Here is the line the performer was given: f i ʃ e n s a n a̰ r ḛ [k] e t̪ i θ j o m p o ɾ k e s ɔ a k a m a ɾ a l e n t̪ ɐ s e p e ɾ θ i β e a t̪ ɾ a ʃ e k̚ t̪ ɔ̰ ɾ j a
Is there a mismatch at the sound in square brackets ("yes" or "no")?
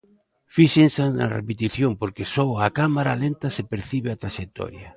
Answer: yes